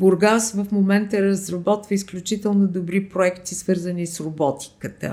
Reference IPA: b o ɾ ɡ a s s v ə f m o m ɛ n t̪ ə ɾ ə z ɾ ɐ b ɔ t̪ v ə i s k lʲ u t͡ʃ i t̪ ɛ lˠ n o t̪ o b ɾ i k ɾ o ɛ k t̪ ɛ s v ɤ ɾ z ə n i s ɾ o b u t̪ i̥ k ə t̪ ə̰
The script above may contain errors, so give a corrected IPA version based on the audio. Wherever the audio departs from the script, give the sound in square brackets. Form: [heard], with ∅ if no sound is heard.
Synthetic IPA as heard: b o ɾ ɡ a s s v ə f m o m ɛ n t̪ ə ɾ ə z ɾ ɐ b ɔ t̪ v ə i s k lʲ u t͡ʃ i t̪ ɛ lˠ n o [d̪] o b ɾ i [p] ɾ o ɛ k t̪ [i] s v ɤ ɾ z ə n i s ɾ o b [ɔ] t̪ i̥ k ə t̪ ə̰